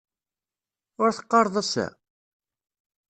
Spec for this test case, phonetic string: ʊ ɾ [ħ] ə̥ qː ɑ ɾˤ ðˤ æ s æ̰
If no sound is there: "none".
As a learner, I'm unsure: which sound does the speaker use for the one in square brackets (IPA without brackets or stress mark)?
θ